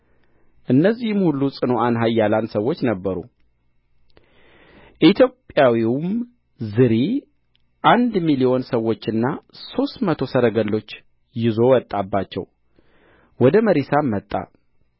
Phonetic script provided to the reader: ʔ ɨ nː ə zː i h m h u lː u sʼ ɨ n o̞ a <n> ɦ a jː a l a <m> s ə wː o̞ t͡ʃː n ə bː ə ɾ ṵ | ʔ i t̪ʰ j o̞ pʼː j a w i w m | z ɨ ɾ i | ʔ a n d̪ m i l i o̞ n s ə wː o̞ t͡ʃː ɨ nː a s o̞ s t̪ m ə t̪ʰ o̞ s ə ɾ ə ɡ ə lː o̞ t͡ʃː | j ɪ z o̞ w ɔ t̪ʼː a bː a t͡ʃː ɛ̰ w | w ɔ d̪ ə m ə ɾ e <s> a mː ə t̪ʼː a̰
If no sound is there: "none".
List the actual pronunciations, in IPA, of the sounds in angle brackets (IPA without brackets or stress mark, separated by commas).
n, n, s